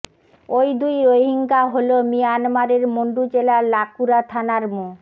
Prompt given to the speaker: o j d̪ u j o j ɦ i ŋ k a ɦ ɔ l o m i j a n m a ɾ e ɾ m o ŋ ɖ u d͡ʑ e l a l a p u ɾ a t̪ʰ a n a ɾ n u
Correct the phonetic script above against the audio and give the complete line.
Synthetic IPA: o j d̪ u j o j ɦ i ŋ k a ɦ o l o m i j a n m a ɾ e ɾ m o ɳ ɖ u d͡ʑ e l a l a k u ɾ a t̪ʰ a n a ɾ m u